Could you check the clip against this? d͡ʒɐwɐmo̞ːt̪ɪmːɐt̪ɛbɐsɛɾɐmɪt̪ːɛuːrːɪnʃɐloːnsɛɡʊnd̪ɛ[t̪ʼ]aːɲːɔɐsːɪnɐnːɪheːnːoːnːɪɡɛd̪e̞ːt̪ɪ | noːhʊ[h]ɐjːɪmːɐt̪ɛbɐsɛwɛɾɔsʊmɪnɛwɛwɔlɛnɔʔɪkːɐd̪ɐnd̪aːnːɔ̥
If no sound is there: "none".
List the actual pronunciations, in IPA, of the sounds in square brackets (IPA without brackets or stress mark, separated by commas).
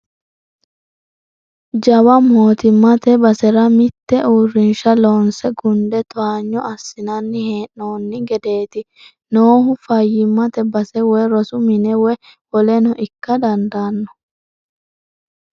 t̪, f